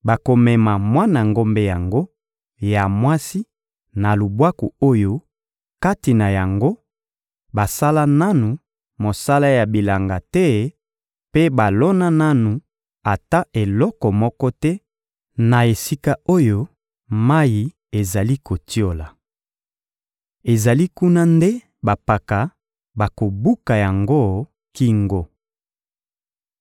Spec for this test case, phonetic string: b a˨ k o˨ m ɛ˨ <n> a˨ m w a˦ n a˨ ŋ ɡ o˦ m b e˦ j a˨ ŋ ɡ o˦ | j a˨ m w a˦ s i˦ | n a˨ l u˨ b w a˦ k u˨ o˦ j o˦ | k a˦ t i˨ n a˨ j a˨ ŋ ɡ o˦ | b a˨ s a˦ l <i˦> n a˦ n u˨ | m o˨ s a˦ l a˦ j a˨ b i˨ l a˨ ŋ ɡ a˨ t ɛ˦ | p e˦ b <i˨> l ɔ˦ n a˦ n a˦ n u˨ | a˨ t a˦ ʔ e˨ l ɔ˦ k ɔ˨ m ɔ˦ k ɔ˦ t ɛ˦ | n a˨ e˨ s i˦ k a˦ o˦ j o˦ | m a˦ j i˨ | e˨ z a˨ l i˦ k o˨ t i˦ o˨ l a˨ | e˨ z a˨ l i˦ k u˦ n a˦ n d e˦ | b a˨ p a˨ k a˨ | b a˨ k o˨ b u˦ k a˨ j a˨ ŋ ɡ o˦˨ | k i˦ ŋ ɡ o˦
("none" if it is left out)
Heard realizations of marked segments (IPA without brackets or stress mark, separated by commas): m, a˦, a˨